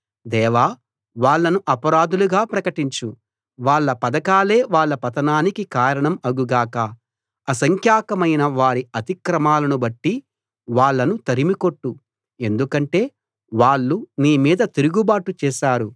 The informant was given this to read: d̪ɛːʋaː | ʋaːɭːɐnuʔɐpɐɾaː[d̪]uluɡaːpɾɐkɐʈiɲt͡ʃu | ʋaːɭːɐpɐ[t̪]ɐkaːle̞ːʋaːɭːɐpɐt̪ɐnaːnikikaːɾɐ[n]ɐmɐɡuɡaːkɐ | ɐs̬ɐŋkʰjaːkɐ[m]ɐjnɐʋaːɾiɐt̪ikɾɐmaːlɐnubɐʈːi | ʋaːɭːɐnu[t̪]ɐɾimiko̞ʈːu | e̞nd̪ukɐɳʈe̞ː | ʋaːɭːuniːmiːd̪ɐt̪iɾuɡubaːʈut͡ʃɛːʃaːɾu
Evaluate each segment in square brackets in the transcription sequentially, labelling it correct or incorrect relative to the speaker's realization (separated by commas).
correct, incorrect, incorrect, correct, correct